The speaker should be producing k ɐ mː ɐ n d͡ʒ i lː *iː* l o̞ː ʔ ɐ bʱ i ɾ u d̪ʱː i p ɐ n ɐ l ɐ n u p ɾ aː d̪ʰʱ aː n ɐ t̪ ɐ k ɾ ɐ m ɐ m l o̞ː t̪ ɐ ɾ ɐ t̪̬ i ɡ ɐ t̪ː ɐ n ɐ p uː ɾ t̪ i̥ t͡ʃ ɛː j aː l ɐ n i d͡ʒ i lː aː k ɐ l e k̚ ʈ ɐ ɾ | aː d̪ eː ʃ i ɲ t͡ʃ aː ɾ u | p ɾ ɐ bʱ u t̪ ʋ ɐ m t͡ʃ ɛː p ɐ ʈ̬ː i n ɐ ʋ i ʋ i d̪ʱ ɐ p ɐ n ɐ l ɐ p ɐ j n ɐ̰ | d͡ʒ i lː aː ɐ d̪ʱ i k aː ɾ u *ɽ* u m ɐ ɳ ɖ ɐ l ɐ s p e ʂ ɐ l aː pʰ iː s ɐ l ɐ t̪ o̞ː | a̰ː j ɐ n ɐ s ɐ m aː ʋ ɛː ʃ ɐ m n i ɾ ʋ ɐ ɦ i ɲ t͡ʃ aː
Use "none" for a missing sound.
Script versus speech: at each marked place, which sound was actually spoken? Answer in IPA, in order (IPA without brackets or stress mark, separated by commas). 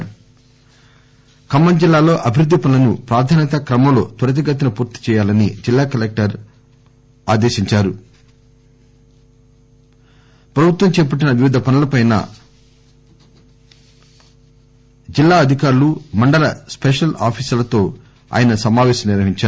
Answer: aː, l